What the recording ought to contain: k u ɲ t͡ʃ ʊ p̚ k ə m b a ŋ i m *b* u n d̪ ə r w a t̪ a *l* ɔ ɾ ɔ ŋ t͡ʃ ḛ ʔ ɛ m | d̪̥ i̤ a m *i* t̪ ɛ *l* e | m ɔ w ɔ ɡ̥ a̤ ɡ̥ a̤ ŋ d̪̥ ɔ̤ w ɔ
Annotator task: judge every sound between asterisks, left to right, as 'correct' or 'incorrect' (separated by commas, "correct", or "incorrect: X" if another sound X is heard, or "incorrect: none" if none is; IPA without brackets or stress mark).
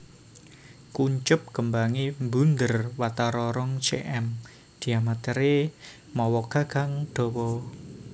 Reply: correct, incorrect: ɾ, incorrect: a, incorrect: ɾ